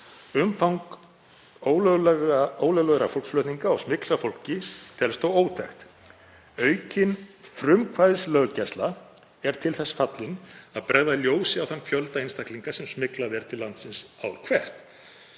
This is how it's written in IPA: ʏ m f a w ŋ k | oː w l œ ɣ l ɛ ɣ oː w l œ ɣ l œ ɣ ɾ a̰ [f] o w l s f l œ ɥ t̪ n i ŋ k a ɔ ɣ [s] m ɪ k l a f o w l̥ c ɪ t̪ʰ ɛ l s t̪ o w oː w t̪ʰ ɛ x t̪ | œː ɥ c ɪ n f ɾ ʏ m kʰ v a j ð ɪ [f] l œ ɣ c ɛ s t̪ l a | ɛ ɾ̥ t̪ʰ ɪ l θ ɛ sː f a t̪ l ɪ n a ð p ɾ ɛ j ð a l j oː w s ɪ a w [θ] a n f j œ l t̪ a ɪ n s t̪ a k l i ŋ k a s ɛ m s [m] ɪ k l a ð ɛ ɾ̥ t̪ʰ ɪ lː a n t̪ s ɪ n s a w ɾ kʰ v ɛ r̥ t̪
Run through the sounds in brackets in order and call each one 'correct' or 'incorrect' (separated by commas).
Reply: correct, correct, incorrect, correct, correct